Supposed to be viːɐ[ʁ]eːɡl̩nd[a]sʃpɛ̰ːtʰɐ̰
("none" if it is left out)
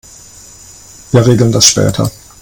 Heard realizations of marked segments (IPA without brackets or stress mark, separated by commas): ʁ, a